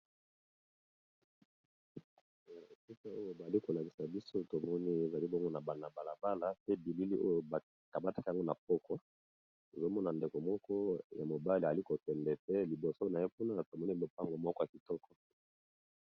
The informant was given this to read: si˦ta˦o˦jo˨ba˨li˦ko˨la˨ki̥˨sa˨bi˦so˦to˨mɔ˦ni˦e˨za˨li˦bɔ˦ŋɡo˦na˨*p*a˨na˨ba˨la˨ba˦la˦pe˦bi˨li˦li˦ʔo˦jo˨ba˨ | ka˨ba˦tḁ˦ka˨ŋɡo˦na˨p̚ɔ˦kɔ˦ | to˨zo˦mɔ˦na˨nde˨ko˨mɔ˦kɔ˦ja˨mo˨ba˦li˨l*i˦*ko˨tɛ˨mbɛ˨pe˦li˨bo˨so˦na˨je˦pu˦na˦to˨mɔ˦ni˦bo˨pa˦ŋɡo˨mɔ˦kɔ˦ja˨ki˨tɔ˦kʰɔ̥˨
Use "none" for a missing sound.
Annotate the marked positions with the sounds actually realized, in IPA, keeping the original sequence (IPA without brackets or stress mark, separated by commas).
b, i˦